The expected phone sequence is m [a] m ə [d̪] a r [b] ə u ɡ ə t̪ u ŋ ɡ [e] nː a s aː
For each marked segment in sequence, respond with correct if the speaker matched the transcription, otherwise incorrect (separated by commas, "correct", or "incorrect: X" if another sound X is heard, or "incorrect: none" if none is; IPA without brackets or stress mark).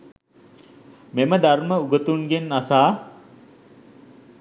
incorrect: e, correct, incorrect: m, correct